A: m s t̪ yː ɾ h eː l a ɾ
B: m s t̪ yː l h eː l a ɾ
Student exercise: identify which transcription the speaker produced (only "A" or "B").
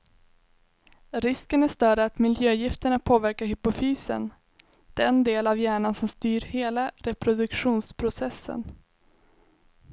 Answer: A